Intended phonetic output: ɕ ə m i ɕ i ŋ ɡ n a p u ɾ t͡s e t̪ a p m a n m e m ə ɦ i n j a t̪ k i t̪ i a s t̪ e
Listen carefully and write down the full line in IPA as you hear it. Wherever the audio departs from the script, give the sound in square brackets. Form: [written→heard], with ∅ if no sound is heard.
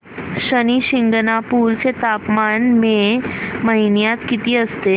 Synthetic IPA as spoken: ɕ ə [m→n] i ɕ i ŋ ɡ n a p u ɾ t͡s e t̪ a p m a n m e m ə ɦ i n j a t̪ k i t̪ i [a→ə] s t̪ e